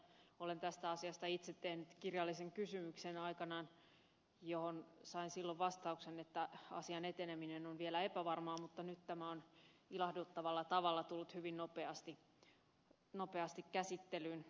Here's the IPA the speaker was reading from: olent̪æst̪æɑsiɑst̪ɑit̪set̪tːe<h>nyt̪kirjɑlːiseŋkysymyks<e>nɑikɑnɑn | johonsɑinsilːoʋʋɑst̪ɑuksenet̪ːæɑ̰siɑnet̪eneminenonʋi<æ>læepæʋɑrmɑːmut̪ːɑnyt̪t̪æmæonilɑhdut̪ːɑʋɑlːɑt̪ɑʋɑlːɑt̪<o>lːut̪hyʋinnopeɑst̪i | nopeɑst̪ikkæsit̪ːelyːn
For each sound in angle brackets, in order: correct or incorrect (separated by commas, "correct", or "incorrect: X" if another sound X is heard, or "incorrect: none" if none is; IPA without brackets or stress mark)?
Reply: correct, correct, incorrect: e, incorrect: u